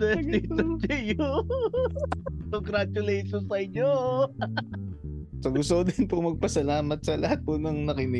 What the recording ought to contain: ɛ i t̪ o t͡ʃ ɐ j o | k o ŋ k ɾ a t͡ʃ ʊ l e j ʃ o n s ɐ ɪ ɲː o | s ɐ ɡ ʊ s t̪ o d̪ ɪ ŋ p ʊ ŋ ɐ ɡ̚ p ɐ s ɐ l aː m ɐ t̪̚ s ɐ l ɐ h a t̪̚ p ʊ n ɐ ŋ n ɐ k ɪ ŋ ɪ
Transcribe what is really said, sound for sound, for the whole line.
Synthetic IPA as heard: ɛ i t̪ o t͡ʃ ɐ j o | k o ŋ ɡ ɾ a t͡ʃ ʊ l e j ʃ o n s ɐ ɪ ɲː o | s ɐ ɡ ʊ s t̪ o d̪ ɪ n p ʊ m ɐ ɡ̚ p ɐ s ɐ l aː m ɐ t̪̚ s ɐ l ɐ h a t̪̚ p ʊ n ɐ ŋ n ɐ k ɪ n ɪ